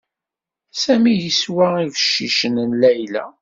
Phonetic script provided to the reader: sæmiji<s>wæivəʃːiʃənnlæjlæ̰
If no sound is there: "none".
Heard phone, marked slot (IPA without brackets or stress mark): s